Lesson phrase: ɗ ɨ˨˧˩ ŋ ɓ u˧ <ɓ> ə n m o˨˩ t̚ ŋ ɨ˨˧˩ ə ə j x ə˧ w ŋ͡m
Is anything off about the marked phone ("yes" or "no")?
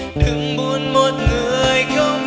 yes